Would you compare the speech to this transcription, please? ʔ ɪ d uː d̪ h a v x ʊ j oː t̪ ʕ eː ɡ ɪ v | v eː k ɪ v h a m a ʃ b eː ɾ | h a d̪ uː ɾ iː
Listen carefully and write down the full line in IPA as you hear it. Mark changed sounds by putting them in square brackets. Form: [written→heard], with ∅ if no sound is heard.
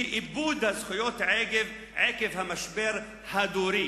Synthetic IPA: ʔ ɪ [d→b] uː d̪ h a [v→z] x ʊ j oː t̪ ʕ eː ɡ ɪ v | [v→ʕ] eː k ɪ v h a m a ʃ b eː ɾ | h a d̪ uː ɾ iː